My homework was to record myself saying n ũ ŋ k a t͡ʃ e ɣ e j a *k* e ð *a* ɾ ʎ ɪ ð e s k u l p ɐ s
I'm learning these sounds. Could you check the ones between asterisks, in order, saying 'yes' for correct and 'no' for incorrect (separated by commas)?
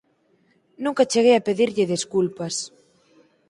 no, no